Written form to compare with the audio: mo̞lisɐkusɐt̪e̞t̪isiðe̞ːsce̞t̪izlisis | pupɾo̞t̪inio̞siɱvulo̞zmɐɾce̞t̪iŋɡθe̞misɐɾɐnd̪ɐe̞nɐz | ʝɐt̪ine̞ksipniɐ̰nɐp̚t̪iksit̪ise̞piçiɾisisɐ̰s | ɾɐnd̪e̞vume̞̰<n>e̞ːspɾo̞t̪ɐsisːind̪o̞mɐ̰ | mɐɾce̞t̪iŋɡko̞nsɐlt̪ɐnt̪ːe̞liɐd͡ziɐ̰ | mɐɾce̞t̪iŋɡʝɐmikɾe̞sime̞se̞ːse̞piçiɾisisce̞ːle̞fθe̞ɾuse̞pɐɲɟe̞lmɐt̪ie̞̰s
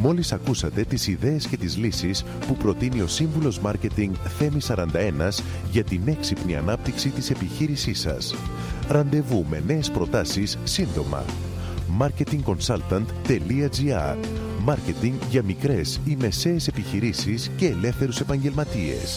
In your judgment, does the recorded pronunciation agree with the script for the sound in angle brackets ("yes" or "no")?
yes